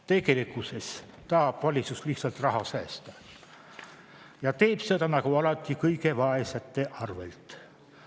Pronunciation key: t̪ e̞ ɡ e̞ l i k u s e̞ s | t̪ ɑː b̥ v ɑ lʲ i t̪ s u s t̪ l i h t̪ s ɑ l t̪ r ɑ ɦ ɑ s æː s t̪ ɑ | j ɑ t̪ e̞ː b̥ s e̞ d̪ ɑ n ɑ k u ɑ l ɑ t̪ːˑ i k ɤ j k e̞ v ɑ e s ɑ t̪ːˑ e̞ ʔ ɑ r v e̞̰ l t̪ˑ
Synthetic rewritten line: t̪ e̞ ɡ e̞ l i k u s e̞ s | t̪ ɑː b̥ v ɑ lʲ i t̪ s u s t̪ l i h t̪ s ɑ l t̪ r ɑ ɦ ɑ s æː s t̪ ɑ | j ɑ t̪ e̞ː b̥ s e̞ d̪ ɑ n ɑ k u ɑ l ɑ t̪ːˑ i k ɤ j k e̞ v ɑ e s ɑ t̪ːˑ e̞ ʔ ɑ r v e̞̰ l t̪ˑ

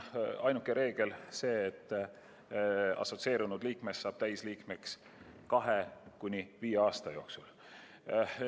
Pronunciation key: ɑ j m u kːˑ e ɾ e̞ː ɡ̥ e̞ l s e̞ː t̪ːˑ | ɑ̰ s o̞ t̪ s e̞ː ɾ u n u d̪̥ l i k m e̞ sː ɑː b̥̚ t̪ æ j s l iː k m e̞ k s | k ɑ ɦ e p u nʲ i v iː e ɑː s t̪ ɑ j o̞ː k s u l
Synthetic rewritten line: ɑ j n u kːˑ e ɾ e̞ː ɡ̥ e̞ l s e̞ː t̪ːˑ | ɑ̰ s o̞ t̪ s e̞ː ɾ u n u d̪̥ l iː k m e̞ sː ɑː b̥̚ t̪ æ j s l iː k m e̞ k s | k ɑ ɦ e k u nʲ i v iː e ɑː s t̪ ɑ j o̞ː k s u l

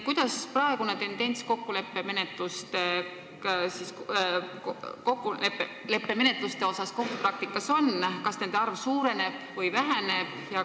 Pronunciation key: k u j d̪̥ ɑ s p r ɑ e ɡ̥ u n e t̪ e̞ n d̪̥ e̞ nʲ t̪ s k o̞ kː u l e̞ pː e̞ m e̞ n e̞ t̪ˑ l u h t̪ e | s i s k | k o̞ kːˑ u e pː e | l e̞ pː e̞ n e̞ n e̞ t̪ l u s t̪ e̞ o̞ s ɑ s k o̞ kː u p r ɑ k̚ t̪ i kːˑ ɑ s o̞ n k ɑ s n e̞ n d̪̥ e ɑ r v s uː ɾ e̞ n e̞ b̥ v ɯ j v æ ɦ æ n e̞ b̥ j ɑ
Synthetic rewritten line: k u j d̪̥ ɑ s p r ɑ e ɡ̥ u n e t̪ e̞ n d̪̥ e̞ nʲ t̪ s k o̞ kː u l e̞ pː e̞ m e̞ n e̞ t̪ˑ l u s t̪ e | s i s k | k o̞ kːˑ u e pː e | l e̞ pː e̞ m e̞ n e̞ t̪ l u s t̪ e̞ o̞ s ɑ s k o̞ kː u p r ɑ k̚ t̪ i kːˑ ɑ s o̞ n k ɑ s n e̞ n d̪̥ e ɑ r v s uː ɾ e̞ n e̞ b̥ v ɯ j v æ ɦ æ n e̞ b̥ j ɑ

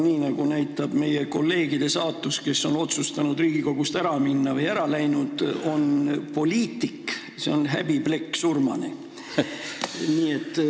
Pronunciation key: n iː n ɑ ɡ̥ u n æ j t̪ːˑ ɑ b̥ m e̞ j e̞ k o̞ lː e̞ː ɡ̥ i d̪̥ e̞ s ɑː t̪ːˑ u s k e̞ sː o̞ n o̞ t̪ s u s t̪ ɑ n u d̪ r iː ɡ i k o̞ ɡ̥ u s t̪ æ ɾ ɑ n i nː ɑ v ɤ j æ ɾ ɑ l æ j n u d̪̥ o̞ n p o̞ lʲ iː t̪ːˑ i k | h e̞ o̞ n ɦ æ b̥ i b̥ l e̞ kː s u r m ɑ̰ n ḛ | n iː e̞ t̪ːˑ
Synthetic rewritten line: n iː n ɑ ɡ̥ u n æ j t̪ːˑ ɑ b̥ m e̞ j e̞ k o̞ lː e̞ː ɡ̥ i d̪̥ e̞ s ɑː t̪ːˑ u s k e̞ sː o̞ n o̞ t̪ s u s t̪ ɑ n u d̪ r iː ɡ i k o̞ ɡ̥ u s t̪ æ ɾ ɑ m i nː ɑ v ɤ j æ ɾ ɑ l æ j n u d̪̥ o̞ n p o̞ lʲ iː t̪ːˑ i k | s e̞ o̞ n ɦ æ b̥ i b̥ l e̞ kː s u r m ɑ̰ n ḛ | n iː e̞ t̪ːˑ

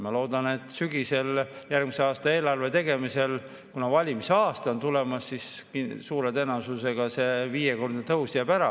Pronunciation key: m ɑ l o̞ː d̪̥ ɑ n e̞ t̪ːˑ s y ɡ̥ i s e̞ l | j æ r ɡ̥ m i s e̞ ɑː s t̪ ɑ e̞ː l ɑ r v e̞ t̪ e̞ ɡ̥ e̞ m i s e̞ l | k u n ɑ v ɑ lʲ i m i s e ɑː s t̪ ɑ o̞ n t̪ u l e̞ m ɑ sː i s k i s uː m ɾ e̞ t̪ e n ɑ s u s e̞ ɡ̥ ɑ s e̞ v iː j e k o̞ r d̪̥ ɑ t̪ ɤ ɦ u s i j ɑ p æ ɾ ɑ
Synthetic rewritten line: m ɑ l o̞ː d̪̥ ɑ n e̞ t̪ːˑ s y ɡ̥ i s e̞ l | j æ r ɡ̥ m i s e̞ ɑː s t̪ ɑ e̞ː l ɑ r v e̞ t̪ e̞ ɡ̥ e̞ m i s e̞ l | k u n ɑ v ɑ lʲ i m i s e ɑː s t̪ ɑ o̞ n t̪ u l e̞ m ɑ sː i s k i s uː ɾ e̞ t̪ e n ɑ s u s e̞ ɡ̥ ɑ s e̞ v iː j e k o̞ r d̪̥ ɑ t̪ ɤ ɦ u s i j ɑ p æ ɾ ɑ

